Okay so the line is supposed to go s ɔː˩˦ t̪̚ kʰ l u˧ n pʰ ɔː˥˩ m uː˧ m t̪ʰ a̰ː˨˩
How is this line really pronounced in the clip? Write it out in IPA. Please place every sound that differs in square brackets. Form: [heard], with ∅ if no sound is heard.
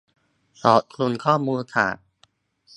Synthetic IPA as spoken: s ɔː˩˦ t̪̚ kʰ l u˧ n [kʰ] ɔː˥˩ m uː˧ [n] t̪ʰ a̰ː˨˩